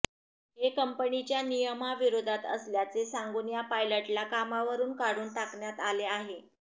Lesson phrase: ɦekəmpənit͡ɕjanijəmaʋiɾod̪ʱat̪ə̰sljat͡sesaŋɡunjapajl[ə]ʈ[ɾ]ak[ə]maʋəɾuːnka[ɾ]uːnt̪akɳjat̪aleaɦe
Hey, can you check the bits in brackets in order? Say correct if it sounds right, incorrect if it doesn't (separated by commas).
correct, incorrect, incorrect, incorrect